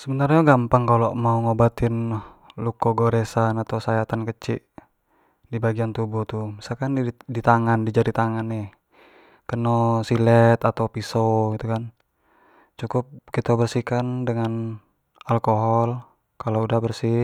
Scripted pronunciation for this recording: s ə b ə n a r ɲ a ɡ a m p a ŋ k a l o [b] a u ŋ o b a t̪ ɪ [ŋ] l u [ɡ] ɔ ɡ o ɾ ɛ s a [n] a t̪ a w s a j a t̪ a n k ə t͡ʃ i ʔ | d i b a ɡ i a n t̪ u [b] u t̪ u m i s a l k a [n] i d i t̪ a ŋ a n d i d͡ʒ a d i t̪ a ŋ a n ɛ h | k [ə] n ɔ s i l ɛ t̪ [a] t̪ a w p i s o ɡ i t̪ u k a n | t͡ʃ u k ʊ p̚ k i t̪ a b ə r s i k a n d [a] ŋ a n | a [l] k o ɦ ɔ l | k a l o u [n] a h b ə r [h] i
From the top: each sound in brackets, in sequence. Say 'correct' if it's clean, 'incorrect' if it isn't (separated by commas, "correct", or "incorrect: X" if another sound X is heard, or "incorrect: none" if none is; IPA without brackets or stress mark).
incorrect: m, incorrect: n, incorrect: k, correct, correct, correct, correct, correct, incorrect: ə, correct, incorrect: d, incorrect: s